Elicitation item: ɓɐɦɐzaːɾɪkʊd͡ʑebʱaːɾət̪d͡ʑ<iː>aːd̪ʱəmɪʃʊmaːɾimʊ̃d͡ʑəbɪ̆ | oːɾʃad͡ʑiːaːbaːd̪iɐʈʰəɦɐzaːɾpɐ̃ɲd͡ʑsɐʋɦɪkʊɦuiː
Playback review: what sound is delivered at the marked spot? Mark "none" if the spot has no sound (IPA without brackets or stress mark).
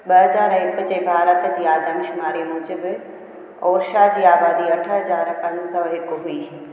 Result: iː